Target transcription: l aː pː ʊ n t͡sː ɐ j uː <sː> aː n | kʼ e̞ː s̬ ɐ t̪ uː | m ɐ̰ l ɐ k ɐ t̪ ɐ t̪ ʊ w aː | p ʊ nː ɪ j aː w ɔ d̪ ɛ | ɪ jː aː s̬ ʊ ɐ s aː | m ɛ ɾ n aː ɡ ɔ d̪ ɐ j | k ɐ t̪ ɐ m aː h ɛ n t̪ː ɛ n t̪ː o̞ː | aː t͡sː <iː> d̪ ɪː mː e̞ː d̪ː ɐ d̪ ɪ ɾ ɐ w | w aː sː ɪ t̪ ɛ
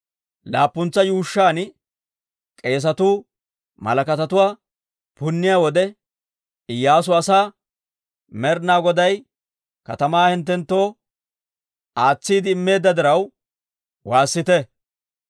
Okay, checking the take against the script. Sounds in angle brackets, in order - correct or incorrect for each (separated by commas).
incorrect, correct